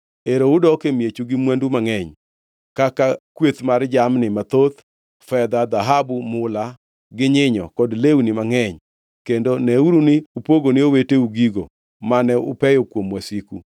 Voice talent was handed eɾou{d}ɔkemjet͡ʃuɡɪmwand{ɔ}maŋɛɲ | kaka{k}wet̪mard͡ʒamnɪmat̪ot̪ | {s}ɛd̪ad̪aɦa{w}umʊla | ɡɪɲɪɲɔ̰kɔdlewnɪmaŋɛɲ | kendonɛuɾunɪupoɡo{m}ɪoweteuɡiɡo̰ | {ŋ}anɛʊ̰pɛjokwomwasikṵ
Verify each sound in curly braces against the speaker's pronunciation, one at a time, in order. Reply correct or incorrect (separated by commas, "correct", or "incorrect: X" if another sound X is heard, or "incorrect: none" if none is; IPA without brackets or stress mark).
correct, incorrect: u, correct, incorrect: f, incorrect: b, incorrect: n, incorrect: m